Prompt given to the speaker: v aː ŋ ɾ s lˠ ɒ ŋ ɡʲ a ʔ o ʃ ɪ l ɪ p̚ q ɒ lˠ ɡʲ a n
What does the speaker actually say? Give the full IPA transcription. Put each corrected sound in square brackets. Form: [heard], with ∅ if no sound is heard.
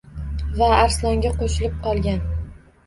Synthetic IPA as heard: v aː [∅] ɾ s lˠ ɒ ŋ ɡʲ a [q] o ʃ ɪ l ɪ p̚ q ɒ lˠ ɡʲ a n